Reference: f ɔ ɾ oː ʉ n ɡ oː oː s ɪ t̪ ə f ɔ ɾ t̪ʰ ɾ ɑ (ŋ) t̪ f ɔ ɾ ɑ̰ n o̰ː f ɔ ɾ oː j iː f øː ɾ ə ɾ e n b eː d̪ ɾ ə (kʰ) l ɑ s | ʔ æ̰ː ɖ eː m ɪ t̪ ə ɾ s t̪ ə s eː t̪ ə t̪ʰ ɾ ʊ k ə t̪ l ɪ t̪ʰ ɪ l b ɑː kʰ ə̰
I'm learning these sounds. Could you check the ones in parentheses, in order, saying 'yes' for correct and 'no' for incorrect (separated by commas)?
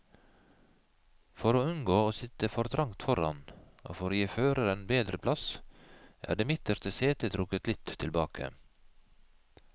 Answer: yes, no